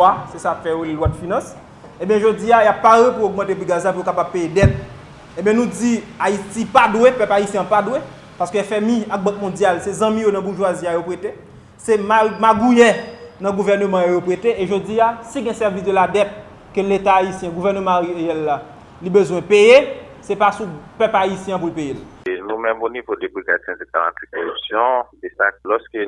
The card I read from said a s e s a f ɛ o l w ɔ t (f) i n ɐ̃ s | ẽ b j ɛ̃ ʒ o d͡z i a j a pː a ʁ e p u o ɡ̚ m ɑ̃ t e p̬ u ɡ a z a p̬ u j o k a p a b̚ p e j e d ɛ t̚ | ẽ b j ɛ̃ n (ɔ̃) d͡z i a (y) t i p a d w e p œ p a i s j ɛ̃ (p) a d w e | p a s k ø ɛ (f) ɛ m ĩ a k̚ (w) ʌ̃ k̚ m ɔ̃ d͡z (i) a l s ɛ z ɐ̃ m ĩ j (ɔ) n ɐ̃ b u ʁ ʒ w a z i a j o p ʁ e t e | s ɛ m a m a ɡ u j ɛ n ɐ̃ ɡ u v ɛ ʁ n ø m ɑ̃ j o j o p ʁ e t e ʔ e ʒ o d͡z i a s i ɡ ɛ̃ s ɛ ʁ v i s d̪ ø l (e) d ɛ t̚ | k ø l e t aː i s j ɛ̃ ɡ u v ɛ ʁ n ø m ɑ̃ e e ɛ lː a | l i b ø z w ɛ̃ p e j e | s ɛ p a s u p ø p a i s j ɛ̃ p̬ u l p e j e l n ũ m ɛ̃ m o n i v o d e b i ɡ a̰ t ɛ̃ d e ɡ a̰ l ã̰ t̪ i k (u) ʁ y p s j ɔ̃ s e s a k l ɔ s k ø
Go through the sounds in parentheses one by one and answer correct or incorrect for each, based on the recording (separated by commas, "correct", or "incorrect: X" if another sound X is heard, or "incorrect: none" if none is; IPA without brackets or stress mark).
correct, incorrect: ũ, incorrect: i, correct, correct, incorrect: b, incorrect: j, incorrect: o, incorrect: a, incorrect: o